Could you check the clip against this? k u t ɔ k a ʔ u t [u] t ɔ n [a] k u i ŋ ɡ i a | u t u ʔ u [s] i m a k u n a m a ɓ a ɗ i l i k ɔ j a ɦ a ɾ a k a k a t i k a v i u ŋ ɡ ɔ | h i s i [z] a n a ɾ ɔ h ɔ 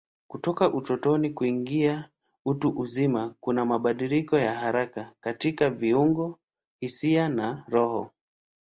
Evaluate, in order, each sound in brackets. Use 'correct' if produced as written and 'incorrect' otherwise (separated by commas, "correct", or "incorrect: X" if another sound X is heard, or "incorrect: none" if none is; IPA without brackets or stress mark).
incorrect: ɔ, incorrect: i, incorrect: z, incorrect: none